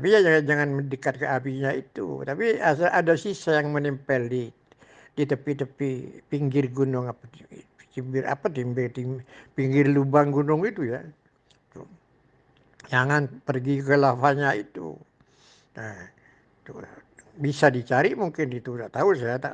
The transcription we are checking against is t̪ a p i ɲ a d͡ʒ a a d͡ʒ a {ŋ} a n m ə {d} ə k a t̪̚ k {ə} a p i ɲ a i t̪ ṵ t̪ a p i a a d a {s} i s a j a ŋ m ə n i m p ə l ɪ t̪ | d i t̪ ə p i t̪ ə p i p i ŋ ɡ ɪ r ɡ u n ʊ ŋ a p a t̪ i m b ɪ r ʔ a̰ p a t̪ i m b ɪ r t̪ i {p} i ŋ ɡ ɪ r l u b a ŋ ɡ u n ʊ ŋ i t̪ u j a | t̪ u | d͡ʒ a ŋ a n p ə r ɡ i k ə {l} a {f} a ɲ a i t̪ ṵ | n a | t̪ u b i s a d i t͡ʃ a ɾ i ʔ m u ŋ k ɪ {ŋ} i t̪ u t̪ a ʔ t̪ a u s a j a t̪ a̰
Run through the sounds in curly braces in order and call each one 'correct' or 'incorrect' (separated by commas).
correct, correct, correct, correct, correct, correct, correct, incorrect